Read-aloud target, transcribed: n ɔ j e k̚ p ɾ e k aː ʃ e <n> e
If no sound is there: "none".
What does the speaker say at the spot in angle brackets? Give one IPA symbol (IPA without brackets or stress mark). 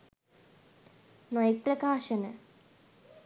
n